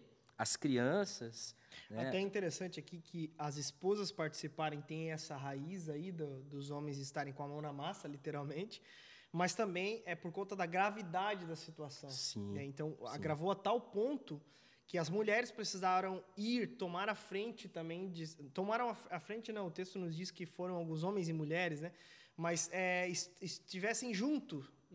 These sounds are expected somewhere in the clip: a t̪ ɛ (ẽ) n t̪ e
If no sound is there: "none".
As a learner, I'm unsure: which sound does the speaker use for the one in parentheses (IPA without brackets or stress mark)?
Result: ĩ